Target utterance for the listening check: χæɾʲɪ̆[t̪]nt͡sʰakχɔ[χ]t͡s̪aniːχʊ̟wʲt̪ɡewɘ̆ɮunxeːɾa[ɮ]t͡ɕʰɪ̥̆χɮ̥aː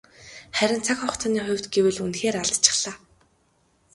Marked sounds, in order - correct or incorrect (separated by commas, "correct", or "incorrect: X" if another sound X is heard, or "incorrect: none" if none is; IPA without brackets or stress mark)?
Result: incorrect: none, correct, correct